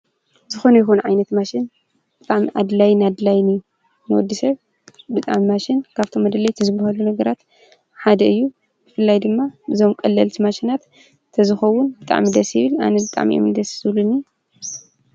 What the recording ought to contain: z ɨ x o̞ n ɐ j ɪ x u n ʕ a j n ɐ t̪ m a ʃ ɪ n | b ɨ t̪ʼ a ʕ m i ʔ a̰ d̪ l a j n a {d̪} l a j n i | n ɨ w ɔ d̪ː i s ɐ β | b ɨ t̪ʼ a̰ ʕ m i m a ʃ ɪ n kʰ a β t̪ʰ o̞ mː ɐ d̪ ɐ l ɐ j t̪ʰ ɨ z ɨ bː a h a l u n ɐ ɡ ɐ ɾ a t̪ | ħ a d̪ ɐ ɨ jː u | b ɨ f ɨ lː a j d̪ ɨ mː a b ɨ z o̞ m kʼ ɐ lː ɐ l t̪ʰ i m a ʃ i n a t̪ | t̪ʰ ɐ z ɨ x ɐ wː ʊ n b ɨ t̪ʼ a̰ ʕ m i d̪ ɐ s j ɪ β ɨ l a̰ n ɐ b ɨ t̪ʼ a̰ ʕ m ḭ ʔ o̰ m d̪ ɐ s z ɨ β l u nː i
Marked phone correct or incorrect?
correct